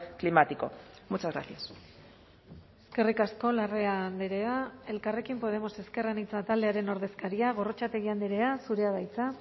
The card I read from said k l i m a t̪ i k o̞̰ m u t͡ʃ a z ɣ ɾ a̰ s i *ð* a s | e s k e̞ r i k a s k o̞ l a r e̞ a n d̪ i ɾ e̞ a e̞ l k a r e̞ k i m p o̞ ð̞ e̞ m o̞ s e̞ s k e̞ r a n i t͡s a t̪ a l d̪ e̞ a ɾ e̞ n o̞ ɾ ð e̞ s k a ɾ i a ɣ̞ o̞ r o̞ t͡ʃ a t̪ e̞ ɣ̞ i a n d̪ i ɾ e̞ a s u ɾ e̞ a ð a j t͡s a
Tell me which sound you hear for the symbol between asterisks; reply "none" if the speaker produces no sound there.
none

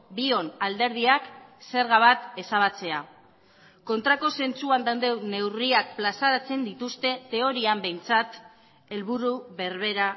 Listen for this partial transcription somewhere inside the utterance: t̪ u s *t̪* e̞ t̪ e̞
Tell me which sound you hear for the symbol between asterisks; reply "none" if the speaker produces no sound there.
t̪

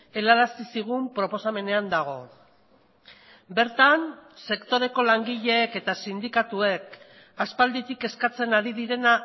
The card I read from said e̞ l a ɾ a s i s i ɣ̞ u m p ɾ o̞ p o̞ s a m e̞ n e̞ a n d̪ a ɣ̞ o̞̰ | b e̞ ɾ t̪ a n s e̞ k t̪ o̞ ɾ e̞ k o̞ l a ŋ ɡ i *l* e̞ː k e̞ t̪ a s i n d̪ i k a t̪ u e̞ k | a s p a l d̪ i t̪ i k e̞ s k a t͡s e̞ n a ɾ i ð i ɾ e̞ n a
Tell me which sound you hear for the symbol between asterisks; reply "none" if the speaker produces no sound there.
ʎ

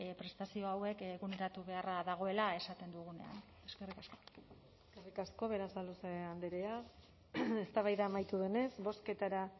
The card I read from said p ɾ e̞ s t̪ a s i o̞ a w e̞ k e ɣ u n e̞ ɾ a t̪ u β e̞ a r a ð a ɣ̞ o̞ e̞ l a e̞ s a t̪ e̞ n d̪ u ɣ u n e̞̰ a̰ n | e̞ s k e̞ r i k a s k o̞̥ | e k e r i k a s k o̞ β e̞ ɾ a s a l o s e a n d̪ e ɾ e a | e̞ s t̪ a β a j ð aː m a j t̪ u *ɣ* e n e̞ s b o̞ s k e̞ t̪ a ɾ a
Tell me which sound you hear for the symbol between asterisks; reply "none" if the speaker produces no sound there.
ð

